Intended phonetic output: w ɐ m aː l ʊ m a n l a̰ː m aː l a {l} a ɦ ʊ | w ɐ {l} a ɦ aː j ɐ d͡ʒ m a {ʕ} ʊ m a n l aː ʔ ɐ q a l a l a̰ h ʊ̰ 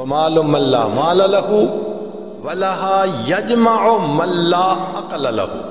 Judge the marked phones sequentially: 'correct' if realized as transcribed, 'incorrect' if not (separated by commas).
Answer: correct, correct, correct